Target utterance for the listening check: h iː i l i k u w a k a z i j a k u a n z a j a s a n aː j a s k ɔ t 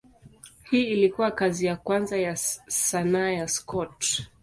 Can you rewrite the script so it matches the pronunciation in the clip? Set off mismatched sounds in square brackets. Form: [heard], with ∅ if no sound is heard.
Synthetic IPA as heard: h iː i l i k u w a k a z i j a k [w] a n z a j a s a n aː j a s k ɔ t